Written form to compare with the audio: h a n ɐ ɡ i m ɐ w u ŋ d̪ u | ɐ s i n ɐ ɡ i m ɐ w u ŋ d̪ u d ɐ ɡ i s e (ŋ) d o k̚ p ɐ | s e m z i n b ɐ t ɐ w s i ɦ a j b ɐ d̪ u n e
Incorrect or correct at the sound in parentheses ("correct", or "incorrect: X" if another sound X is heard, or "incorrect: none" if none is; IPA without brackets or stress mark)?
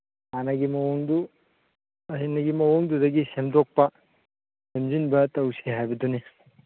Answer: incorrect: m